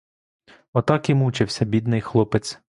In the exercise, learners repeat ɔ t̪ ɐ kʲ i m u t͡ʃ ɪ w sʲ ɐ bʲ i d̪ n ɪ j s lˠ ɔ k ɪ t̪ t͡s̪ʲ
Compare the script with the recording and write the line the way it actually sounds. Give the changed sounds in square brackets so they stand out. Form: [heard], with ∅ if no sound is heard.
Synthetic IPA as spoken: ɔ t̪ [ɑ] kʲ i m u t͡ʃ ɪ w sʲ ɐ bʲ i d̪ n ɪ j [x] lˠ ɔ [p] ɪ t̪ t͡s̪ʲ